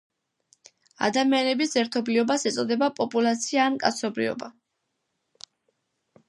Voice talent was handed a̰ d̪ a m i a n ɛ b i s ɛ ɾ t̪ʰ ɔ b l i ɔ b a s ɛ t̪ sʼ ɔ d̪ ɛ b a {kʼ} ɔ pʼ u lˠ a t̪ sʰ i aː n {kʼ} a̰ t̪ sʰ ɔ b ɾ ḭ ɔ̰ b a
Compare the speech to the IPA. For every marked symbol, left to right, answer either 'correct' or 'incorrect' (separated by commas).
incorrect, correct